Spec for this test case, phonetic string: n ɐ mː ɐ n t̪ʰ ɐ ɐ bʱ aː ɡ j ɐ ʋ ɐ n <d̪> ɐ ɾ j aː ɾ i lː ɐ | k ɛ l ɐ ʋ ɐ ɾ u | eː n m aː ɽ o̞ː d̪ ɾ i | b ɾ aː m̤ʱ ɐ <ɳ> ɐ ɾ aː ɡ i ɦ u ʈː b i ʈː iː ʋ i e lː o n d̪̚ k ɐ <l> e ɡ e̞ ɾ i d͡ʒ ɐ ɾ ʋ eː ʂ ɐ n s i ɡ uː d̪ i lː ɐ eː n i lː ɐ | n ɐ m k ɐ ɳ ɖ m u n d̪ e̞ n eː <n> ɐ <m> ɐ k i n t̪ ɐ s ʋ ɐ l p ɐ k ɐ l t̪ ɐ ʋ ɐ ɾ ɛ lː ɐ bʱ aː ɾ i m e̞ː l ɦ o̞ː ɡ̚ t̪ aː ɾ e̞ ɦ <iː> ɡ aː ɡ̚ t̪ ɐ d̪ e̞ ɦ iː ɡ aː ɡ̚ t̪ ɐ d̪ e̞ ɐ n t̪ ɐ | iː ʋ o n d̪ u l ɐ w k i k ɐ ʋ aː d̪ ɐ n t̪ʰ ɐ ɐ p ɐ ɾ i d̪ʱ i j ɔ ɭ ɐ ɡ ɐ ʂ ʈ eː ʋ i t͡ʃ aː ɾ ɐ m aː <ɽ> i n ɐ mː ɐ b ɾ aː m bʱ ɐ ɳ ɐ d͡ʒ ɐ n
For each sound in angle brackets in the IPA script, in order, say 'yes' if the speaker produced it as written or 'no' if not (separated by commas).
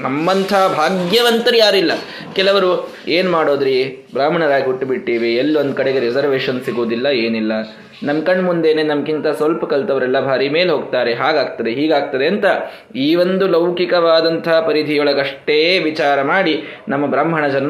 no, yes, no, yes, yes, no, yes